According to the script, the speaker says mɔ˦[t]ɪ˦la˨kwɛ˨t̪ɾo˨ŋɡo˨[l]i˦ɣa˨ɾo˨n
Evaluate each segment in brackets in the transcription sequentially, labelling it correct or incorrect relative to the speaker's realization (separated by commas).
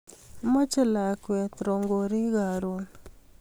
incorrect, incorrect